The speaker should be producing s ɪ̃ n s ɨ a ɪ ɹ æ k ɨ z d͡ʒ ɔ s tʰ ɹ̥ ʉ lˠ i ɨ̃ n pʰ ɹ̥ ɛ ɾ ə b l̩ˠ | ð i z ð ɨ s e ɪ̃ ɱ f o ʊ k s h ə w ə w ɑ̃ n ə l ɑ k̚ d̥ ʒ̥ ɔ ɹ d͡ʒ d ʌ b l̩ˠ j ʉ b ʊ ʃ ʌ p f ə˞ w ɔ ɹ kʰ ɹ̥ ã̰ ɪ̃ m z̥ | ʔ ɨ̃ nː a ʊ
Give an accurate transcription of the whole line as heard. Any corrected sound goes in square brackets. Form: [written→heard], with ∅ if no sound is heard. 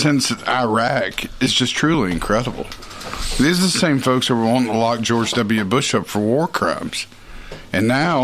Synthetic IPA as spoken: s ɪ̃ n s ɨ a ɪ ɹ æ k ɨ z d͡ʒ [ɔ→ʌ] s tʰ ɹ̥ ʉ lˠ i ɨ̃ n [pʰ→kʰ] ɹ̥ ɛ ɾ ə b l̩ˠ | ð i z ð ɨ s [e→ẽ] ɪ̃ ɱ f o ʊ k s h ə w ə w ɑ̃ n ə l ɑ k̚ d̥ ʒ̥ ɔ ɹ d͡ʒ d ʌ b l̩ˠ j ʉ b ʊ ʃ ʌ p f ə˞ w ɔ ɹ kʰ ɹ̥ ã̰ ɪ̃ m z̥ | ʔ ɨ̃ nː a ʊ